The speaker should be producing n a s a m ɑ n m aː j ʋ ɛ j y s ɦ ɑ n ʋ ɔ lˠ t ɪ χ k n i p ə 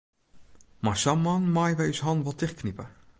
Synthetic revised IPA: m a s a m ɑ n m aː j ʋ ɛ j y s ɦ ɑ n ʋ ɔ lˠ t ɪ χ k n i p ə